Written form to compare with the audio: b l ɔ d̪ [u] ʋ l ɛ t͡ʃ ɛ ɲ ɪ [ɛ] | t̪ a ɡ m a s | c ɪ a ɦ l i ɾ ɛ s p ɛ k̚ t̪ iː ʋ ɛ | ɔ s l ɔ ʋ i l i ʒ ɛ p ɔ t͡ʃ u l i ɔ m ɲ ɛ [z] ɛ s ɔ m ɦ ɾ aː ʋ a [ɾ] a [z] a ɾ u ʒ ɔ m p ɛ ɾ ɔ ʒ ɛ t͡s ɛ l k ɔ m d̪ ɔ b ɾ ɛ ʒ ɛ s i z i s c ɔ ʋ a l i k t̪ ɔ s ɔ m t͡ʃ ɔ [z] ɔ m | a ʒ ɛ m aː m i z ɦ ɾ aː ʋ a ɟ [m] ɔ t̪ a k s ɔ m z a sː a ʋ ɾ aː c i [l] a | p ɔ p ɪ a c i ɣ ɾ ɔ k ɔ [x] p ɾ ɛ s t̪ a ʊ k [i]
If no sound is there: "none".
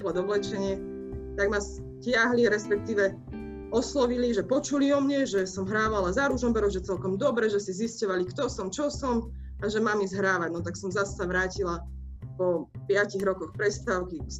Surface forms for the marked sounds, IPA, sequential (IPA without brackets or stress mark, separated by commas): ɔ, ɛ, ʒ, l, z, s, n, l, x, i